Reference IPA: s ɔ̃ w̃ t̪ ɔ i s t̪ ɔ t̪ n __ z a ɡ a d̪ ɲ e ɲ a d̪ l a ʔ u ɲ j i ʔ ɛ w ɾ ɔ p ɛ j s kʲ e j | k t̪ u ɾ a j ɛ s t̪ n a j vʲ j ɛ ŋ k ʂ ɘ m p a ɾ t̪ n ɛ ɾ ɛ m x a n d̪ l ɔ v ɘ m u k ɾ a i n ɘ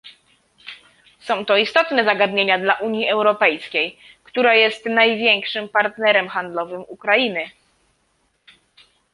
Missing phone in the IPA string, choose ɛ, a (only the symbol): ɛ